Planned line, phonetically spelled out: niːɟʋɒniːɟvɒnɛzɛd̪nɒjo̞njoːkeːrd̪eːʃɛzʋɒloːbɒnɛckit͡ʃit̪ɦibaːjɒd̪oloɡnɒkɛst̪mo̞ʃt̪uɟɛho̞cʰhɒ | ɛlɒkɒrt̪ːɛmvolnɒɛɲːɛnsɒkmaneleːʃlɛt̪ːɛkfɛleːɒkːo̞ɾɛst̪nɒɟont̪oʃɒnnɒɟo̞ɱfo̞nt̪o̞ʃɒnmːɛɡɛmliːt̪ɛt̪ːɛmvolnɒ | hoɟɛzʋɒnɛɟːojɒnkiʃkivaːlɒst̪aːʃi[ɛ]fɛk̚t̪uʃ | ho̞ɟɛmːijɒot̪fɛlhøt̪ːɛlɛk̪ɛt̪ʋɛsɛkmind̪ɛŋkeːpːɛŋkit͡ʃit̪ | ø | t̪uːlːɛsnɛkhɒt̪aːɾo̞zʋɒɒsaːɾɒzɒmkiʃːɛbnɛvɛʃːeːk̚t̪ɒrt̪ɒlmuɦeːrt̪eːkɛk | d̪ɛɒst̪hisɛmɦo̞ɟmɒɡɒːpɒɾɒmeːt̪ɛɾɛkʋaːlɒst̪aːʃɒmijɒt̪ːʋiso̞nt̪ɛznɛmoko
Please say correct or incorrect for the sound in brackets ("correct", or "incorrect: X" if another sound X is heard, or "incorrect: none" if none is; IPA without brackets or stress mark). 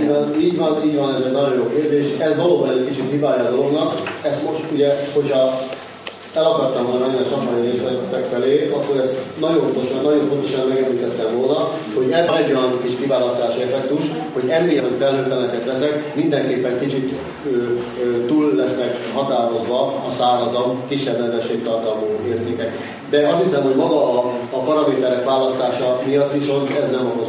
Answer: correct